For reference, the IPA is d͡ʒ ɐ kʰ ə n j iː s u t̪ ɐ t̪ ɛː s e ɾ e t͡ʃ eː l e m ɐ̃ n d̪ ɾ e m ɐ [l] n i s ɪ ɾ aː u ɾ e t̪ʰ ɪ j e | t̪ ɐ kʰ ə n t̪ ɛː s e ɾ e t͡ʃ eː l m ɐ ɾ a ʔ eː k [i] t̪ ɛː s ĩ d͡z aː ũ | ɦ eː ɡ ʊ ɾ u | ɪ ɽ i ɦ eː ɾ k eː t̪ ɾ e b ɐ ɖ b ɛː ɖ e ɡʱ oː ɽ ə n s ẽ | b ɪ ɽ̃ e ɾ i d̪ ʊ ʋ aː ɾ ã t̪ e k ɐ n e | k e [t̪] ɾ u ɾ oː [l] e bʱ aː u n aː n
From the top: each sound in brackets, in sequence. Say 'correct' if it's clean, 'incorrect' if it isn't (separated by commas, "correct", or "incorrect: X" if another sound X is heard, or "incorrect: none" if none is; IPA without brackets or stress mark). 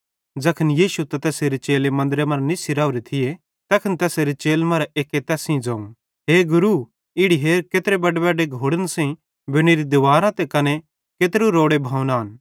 incorrect: ɾ, incorrect: e, correct, incorrect: ɽ